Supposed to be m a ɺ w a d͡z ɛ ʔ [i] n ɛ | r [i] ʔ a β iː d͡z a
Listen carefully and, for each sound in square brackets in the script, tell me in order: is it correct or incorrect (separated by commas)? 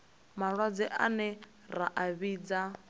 incorrect, incorrect